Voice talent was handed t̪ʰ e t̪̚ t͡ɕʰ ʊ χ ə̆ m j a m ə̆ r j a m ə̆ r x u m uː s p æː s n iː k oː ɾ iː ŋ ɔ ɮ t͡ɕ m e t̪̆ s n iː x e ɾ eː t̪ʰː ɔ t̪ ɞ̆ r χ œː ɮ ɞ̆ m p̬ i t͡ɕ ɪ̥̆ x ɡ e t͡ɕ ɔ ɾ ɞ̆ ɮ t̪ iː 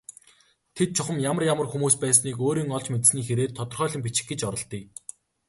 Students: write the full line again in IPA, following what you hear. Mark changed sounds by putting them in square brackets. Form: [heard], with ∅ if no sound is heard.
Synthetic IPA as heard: t̪ʰ e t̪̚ t͡ɕʰ ʊ χ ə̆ m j a m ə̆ r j a m ə̆ r x u m uː s p æː s n iː k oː ɾ iː ŋ ɔ ɮ t͡ɕ m e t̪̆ s n iː x e ɾ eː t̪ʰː ɔ t̪ ɞ̆ r χ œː ɮ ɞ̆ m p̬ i t͡ɕ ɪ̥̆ x ɡ e t͡ɕ ɔ ɾ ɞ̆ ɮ t̪ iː